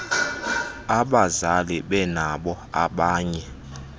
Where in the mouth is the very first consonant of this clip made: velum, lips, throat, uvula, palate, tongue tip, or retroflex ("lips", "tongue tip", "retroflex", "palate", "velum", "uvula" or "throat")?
lips